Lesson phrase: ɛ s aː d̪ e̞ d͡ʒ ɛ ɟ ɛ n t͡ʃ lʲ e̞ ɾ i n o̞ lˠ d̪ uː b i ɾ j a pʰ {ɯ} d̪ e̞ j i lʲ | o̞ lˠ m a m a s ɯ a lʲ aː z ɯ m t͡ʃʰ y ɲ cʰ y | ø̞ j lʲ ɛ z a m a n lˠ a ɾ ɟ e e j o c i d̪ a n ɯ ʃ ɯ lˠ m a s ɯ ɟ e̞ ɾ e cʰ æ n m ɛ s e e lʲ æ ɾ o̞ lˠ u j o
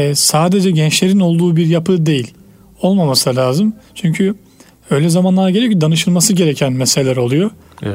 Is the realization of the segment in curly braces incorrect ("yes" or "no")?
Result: no